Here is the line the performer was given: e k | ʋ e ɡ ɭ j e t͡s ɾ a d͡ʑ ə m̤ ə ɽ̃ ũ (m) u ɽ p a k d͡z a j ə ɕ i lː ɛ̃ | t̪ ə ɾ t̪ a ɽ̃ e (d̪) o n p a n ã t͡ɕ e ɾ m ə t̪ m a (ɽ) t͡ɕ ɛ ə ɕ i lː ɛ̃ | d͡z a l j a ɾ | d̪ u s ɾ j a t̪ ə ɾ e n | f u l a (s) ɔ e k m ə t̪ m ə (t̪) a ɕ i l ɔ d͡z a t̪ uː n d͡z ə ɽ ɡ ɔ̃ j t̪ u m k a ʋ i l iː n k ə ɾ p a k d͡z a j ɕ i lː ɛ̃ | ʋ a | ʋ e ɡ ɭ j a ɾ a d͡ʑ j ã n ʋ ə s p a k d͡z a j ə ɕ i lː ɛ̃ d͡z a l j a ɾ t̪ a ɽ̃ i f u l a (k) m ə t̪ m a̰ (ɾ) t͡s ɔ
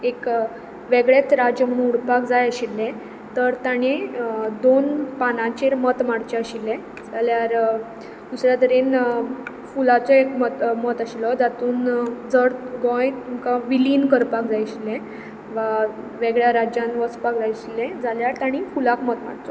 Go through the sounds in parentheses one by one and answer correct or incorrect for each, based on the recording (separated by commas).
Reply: incorrect, correct, correct, incorrect, correct, correct, incorrect